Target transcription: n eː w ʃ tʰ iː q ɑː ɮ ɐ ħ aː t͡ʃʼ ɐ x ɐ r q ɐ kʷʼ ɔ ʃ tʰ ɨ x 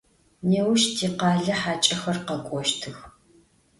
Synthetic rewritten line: n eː w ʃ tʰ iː q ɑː ɮ ɐ ħ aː t͡ʃʼ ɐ x ɐ r q ɐ kʷʼ ɔ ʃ tʰ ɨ x